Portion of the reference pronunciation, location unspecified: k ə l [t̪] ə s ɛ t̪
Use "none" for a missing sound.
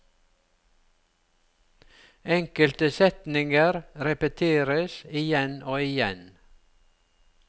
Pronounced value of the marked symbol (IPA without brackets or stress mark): t̪